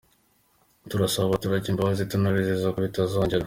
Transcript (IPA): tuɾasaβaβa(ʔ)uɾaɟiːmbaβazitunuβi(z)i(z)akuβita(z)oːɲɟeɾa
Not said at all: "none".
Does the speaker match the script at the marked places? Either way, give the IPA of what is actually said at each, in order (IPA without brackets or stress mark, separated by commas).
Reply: t, z, z, z